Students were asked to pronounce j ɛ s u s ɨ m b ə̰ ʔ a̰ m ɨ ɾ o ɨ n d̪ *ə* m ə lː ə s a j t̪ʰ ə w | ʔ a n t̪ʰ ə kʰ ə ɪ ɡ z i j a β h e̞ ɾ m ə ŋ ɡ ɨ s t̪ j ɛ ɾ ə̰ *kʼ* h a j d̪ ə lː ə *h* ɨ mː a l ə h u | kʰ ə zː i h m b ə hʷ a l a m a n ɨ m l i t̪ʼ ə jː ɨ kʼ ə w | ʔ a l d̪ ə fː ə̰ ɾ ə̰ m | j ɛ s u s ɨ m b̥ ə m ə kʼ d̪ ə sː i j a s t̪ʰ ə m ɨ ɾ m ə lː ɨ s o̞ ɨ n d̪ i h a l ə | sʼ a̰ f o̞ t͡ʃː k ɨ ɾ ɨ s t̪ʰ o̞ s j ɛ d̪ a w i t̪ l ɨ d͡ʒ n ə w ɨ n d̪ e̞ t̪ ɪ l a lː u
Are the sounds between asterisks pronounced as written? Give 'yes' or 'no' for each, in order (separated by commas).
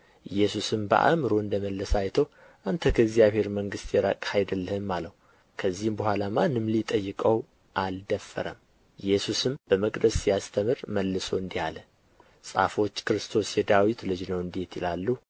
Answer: yes, yes, yes